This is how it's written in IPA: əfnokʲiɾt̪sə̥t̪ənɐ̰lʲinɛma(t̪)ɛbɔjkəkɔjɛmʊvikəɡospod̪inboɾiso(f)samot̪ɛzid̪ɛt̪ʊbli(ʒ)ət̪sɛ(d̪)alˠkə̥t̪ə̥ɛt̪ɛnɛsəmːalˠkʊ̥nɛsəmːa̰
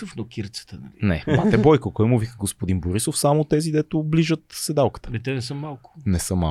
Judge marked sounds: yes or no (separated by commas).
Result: yes, yes, yes, yes